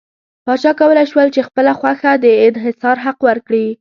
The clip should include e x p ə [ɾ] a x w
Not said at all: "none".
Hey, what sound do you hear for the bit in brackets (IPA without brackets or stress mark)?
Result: l